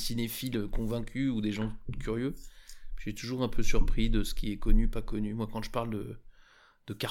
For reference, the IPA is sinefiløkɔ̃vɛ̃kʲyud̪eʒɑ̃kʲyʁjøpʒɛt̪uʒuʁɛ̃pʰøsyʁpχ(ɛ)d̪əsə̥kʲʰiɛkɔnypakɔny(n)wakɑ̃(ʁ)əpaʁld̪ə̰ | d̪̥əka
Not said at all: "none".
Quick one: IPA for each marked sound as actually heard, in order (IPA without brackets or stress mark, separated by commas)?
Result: i, m, ʒ